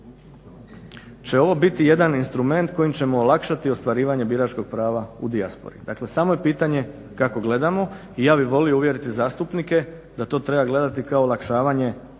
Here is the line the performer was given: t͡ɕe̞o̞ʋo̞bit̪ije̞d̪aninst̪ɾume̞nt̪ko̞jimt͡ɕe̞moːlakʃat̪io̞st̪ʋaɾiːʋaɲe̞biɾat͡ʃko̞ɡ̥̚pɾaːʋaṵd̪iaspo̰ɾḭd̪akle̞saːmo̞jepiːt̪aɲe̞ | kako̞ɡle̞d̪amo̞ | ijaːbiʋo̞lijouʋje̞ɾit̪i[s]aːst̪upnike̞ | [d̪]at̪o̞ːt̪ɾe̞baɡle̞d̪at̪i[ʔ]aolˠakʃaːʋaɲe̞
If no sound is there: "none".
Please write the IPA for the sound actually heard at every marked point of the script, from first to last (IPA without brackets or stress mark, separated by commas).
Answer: z, d̪, k